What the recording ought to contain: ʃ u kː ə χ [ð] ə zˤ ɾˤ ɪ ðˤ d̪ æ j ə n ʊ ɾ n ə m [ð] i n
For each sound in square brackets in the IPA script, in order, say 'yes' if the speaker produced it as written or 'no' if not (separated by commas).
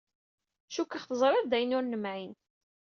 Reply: no, no